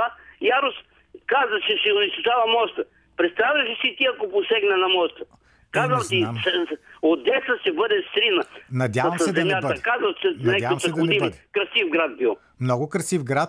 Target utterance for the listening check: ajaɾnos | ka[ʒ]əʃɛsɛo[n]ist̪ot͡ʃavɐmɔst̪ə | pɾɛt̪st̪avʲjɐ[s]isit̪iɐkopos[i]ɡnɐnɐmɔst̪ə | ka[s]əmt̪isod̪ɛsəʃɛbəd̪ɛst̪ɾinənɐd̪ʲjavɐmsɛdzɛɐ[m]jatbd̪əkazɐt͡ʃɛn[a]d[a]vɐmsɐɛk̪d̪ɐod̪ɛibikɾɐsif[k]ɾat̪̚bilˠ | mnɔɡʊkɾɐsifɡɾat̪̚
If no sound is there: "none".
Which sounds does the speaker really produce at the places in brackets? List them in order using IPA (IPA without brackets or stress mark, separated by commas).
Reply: z, n, ʃ, ɛ, z, m, ɛ, a, ɡ